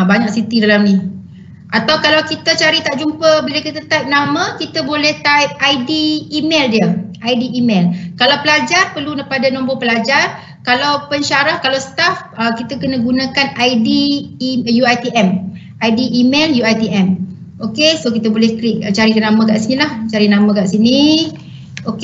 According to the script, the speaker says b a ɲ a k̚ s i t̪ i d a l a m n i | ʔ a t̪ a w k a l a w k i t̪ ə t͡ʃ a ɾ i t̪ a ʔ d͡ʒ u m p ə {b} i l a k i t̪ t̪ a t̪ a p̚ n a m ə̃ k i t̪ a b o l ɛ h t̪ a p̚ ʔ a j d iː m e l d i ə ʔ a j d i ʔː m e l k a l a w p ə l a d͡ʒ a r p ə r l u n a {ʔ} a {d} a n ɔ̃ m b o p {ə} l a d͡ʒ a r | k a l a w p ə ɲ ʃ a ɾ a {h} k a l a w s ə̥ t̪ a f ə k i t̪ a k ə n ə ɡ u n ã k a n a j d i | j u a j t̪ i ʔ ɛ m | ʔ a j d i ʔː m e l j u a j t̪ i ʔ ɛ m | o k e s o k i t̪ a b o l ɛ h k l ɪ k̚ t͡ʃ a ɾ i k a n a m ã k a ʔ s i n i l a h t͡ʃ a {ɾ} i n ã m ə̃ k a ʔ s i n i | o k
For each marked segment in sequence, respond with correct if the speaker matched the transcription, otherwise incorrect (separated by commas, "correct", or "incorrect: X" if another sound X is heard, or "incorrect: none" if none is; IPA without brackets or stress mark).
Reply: correct, incorrect: p, correct, correct, correct, correct